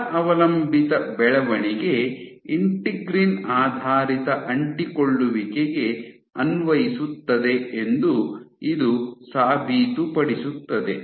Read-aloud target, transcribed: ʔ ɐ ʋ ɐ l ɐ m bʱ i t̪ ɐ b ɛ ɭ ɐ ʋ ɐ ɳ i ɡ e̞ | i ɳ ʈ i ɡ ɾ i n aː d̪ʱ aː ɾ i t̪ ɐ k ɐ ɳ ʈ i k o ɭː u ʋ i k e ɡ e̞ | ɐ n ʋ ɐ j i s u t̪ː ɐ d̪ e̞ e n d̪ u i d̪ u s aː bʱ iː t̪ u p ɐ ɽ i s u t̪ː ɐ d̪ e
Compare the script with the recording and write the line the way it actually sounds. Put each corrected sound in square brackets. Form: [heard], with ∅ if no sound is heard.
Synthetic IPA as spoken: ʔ ɐ ʋ ɐ l ɐ m bʱ i t̪ ɐ b ɛ ɭ ɐ ʋ ɐ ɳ i ɡ e̞ | i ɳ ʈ i ɡ ɾ i n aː d̪ʱ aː ɾ i t̪ ɐ [ʔ] ɐ ɳ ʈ i k o ɭː u ʋ i k e ɡ e̞ | ɐ n ʋ ɐ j i s u t̪ː ɐ d̪ e̞ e n d̪ u i d̪ u s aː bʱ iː t̪ u p ɐ ɽ i s u t̪ː ɐ d̪ e